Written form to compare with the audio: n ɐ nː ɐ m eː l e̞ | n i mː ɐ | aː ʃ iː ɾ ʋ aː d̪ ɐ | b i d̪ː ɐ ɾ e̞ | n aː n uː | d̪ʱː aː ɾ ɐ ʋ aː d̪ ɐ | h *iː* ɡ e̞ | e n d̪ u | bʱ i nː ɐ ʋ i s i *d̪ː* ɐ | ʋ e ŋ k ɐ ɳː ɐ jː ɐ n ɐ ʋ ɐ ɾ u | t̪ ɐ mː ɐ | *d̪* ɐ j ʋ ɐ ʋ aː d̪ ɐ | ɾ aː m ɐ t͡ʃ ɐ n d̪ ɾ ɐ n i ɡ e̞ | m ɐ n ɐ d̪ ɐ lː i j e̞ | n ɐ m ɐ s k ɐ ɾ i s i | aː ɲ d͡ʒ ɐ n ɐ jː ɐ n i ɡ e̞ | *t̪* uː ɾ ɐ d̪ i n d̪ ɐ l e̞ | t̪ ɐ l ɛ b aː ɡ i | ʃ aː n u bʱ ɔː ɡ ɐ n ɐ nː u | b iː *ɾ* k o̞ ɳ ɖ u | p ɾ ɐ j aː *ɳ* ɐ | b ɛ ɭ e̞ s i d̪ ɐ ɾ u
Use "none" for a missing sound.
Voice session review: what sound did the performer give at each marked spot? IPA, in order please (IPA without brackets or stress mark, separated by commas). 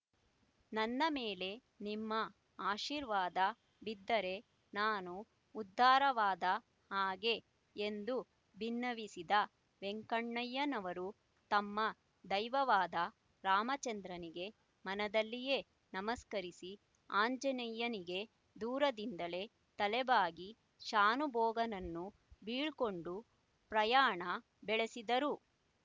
aː, d̪, d̪, d̪, ɭ, ɳ